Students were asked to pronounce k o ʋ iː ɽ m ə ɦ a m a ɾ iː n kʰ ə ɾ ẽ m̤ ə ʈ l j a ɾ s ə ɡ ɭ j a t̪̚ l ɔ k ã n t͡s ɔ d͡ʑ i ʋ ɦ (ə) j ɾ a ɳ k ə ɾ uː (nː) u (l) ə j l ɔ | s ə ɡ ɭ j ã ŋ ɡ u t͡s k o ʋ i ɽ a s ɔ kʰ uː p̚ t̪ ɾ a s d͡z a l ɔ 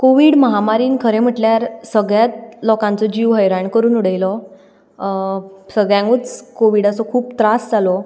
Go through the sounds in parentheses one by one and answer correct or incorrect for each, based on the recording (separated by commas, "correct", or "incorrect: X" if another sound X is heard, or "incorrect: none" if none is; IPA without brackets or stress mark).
correct, incorrect: n, incorrect: ɽ